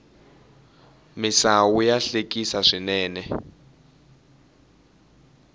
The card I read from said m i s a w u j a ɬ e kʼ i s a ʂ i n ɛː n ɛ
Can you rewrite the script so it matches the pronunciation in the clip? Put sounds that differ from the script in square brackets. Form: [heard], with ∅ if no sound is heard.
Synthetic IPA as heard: m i s a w u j a ɬ e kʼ i s a ʂ i n ɛː n ɛ